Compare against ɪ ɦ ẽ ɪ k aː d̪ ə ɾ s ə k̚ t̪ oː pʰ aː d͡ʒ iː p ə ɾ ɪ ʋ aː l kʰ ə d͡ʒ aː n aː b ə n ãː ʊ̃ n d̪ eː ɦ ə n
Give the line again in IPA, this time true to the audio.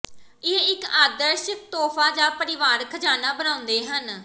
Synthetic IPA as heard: ɪ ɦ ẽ ɪ k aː d̪ ə ɾ ʃ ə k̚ t̪ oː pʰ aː d͡ʒ aː p ə ɾ ɪ ʋ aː ɾ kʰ ə d͡ʒ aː n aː b ə n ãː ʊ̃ n d̪ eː ɦ ə n